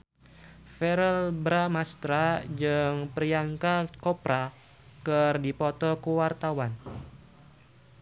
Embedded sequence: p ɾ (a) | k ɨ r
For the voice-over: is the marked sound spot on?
yes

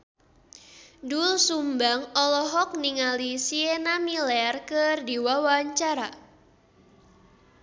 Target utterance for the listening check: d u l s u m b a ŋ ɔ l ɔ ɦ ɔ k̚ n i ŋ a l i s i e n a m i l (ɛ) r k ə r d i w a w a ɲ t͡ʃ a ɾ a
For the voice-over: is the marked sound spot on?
yes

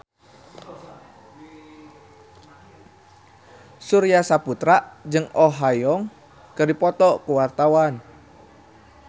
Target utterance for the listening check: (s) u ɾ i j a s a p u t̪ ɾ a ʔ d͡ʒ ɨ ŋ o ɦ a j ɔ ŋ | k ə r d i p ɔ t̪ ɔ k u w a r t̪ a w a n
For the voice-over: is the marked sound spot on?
yes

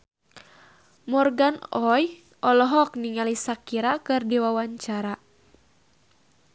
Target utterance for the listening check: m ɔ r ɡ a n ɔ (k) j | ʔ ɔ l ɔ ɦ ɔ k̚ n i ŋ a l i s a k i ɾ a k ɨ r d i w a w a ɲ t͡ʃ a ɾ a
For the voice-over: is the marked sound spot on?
no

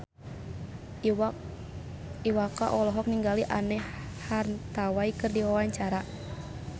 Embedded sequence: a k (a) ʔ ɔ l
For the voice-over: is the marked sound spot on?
yes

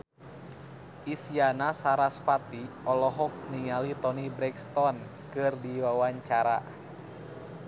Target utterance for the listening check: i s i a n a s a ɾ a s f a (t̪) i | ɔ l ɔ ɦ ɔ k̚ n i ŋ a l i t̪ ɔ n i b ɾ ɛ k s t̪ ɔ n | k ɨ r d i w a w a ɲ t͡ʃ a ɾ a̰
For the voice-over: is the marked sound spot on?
yes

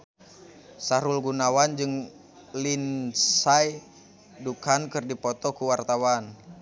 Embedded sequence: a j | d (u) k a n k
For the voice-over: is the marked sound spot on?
yes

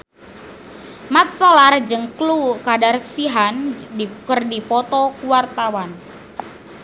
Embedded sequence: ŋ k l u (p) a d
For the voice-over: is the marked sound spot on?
no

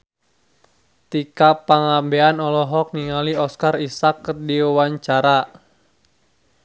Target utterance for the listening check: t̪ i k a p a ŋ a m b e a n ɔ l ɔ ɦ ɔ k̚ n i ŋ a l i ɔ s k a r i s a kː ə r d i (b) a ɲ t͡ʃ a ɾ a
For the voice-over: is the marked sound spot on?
no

